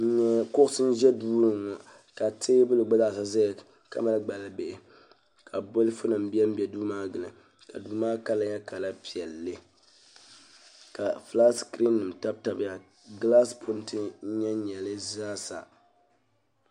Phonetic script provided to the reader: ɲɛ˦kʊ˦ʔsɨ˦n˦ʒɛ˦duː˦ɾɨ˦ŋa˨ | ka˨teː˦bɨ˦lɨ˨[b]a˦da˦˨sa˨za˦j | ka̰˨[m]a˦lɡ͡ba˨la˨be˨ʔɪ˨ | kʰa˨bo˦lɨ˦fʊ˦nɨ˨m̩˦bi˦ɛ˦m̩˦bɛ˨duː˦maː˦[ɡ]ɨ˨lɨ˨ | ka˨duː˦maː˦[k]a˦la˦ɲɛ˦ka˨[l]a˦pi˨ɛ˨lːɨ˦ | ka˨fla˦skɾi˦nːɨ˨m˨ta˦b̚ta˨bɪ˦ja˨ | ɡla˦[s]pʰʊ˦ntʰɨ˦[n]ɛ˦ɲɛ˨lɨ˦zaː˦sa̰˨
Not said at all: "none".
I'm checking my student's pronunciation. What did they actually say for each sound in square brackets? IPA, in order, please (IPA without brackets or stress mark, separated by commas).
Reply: ɡ͡b, m, ɡ, k, l, s, ɲ